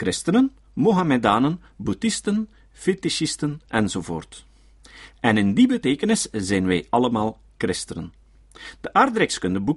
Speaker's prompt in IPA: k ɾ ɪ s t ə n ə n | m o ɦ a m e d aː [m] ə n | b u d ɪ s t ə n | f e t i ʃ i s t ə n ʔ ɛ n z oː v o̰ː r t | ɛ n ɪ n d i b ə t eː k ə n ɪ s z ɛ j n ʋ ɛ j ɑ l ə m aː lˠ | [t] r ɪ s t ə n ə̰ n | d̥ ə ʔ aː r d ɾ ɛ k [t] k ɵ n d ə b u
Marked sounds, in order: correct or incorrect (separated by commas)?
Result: incorrect, incorrect, incorrect